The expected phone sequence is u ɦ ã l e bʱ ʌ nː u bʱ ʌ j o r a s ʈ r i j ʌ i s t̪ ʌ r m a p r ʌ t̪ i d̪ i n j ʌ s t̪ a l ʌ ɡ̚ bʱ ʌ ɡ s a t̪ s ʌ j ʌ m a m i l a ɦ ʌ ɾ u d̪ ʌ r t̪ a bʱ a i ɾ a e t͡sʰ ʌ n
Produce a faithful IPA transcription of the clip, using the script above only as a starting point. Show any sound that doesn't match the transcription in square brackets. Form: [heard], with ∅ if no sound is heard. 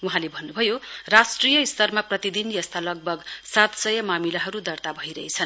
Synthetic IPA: u ɦ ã l e bʱ ʌ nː u bʱ ʌ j o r a s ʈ r i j ʌ i s t̪ ʌ r m a p r ʌ t̪ i d̪ i n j ʌ s t̪ a l ʌ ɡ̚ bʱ ʌ ɡ s a t̪ s ʌ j ʌ m a m i l a ɦ ʌ ɾ u d̪ ʌ r t̪ a bʱ [ʌ] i ɾ [ʌ] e t͡sʰ ʌ n